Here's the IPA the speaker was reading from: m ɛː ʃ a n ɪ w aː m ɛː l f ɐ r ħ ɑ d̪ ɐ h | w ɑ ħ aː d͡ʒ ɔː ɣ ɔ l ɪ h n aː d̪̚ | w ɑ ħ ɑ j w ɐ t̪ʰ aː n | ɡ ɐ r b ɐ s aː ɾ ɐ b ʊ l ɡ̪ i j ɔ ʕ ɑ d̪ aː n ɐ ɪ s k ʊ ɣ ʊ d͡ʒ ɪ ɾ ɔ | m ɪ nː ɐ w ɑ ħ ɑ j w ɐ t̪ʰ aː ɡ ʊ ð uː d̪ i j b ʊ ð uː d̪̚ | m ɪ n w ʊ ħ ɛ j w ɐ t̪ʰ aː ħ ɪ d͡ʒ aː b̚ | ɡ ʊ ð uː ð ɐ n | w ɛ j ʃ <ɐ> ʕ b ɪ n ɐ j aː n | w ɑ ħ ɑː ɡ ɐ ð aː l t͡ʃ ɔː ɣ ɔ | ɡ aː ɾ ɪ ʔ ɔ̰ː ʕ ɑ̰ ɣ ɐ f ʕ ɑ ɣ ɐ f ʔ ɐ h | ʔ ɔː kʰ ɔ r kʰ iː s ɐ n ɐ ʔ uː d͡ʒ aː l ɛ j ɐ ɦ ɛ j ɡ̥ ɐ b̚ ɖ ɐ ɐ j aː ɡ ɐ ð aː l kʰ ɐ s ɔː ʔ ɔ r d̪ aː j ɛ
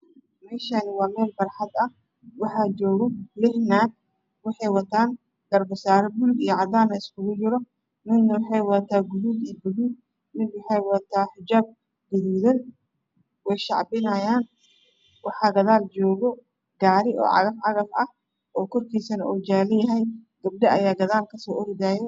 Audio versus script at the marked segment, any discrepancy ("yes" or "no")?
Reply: yes